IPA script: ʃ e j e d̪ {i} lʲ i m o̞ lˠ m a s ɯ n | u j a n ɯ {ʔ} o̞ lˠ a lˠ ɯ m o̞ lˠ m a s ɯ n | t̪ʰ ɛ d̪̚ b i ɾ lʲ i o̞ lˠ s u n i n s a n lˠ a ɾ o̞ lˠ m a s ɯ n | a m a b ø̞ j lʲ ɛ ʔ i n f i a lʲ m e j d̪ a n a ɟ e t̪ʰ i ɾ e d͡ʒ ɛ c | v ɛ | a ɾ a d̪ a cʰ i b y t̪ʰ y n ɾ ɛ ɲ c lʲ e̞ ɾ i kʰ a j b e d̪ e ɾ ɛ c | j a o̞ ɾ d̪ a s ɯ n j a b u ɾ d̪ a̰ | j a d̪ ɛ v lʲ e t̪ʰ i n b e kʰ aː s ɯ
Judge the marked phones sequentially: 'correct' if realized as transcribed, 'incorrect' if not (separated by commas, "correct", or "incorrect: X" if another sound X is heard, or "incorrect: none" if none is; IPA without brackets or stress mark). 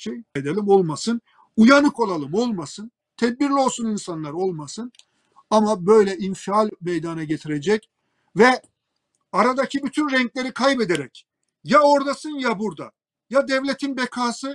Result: incorrect: e, incorrect: k